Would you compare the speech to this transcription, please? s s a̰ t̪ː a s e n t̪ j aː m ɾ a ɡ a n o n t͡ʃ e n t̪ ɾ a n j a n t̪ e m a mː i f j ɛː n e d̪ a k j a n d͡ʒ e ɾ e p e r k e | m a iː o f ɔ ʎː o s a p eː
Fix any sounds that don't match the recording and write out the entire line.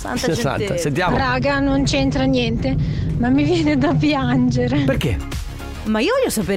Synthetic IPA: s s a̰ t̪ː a s e n t̪ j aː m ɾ a ɡ a n o n t͡ʃ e n t̪ ɾ a n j ɛ n t̪ e m a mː i v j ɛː n e d̪ a p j a n d͡ʒ e ɾ e p e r k e | m a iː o v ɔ ʎː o s a p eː